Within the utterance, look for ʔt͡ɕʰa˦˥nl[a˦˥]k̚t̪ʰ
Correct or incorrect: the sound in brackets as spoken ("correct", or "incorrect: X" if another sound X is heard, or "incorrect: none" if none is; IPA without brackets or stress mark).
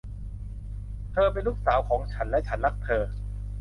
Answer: correct